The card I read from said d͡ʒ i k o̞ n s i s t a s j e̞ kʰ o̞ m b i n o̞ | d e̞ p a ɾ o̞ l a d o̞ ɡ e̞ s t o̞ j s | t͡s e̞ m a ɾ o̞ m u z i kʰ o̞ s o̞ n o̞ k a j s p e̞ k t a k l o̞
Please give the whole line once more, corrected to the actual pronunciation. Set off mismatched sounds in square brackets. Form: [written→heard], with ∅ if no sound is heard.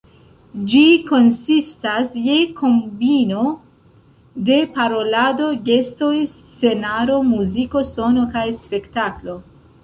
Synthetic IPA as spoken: d͡ʒ i k o̞ n s i s t a s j e̞ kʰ o̞ m b i n o̞ | d e̞ p a ɾ o̞ l a d o̞ ɡ e̞ s t o̞ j s | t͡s e̞ [m→n] a ɾ o̞ m u z i [kʰ→k] o̞ s o̞ n o̞ k a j s p e̞ k t a k l o̞